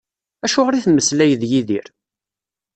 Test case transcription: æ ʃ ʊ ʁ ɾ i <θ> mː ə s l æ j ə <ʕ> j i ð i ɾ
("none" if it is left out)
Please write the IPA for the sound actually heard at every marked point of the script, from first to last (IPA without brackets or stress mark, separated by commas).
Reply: θ, ð